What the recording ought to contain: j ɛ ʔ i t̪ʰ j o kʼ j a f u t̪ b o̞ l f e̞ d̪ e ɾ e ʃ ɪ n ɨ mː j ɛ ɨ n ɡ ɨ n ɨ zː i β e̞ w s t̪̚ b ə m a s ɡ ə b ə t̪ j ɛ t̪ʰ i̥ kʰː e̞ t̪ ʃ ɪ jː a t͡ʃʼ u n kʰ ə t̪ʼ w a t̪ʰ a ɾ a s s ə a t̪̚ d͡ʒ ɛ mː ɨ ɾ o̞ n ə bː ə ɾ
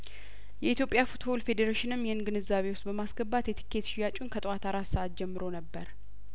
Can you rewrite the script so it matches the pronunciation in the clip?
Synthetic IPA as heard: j ɛ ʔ i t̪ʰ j o pʼ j a f u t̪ b o̞ l f e̞ d̪ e ɾ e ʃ ɪ n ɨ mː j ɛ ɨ n ɡ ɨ n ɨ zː a β e̞ w s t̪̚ b ə m a s ɡ ə b a t̪ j ɛ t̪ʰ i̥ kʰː e̞ t̪ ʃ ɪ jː a t͡ʃʼ u n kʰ ə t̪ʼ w a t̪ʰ a ɾ a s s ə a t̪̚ d͡ʒ ɛ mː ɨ ɾ o̞ n ə bː ə ɾ